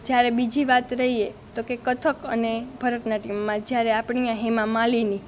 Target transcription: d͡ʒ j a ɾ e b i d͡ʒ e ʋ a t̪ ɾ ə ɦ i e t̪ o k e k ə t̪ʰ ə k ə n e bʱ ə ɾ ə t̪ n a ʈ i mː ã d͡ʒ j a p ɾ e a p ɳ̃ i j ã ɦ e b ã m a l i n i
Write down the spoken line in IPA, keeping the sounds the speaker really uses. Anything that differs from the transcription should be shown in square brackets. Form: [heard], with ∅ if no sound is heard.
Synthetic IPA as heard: d͡ʒ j a ɾ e b i d͡ʒ [i] ʋ a t̪ ɾ ə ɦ i e t̪ o k e k ə t̪ʰ ə k ə n e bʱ ə ɾ ə t̪ n a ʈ i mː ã d͡ʒ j a [∅] ɾ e a p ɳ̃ i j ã ɦ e [m] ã m a l i n i